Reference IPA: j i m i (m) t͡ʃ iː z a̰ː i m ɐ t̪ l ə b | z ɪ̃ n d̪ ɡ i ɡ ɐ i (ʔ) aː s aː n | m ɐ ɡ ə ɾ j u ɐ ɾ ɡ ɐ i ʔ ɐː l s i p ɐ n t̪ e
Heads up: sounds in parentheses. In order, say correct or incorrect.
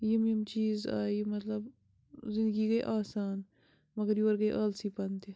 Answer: correct, correct

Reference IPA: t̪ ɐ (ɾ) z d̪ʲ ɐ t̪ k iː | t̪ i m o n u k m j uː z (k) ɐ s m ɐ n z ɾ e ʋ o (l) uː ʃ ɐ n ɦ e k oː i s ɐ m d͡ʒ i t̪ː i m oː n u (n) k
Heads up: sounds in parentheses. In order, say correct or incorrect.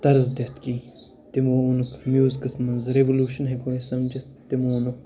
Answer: correct, correct, correct, incorrect

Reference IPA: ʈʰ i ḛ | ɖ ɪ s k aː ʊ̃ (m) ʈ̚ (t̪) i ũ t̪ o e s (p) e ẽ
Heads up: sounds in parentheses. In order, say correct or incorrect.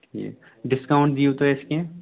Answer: incorrect, incorrect, incorrect

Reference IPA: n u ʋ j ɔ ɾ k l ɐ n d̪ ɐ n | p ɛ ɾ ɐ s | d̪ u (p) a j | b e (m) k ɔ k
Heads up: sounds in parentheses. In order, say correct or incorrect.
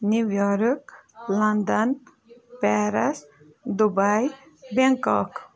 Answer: incorrect, incorrect

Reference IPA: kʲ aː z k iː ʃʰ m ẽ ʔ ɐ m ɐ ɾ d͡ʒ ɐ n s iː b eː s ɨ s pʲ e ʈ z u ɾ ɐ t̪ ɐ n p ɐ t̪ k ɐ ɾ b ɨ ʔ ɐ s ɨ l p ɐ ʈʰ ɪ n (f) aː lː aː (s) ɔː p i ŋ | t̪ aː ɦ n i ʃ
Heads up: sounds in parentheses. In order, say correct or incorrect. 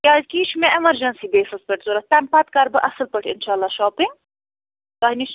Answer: incorrect, incorrect

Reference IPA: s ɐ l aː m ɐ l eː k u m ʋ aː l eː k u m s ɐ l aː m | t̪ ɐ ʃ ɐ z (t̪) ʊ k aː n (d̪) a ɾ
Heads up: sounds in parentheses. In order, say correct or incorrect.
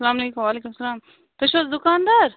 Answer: incorrect, correct

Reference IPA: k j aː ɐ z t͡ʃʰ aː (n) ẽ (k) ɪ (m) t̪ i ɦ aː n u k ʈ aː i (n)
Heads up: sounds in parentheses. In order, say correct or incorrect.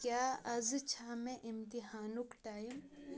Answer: incorrect, incorrect, correct, incorrect

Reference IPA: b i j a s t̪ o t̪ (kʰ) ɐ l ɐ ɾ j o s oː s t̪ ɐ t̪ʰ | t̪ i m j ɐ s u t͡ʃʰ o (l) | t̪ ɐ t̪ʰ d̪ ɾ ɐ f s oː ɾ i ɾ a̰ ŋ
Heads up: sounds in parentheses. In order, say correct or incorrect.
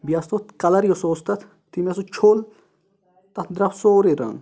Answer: incorrect, correct

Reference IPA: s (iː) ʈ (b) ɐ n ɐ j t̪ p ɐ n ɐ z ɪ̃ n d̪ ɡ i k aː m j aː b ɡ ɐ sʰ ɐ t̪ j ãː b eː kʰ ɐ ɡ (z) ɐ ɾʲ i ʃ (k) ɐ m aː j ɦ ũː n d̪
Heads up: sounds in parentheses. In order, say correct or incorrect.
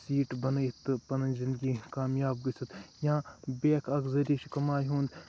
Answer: correct, correct, correct, correct

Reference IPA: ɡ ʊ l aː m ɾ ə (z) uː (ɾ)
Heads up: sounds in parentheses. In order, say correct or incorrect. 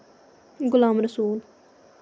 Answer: incorrect, incorrect

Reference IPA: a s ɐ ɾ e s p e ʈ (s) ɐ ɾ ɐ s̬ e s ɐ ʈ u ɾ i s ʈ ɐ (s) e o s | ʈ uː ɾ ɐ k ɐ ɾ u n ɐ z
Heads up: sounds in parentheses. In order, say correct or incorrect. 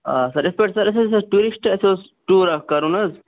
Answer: correct, correct

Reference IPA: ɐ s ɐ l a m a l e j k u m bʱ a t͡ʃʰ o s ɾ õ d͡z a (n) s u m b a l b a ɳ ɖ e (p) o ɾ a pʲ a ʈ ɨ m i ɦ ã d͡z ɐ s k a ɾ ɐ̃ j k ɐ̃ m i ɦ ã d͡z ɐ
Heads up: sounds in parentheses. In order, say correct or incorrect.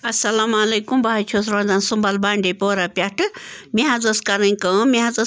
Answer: correct, correct

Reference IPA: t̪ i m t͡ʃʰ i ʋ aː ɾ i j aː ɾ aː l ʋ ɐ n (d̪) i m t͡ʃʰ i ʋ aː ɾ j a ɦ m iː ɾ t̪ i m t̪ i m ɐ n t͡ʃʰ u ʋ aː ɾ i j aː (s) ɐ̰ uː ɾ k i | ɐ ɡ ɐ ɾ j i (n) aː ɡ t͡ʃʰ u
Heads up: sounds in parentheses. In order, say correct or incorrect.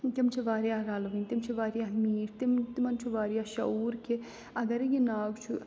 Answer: incorrect, incorrect, correct

